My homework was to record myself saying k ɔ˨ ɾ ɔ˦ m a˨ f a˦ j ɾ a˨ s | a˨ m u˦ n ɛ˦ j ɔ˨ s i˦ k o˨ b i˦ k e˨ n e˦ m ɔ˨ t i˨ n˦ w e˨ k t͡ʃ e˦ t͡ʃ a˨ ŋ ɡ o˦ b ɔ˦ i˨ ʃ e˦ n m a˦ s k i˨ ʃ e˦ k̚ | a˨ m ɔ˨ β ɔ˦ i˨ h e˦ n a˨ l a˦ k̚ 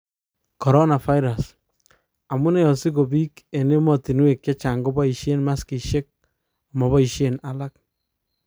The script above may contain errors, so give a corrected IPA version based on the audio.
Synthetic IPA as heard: k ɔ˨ ɾ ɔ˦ n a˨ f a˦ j ɾ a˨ s | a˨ m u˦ n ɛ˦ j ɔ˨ s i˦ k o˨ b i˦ k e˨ n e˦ m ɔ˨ t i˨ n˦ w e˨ k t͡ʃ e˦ t͡ʃ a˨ ŋ ɡ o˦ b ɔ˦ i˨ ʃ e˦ n m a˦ s k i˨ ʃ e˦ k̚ | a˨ m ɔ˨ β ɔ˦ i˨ ʃ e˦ n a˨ l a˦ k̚